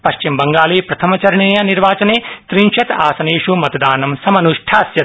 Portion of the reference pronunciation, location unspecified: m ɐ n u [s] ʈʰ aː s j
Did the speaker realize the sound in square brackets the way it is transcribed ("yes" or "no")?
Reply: no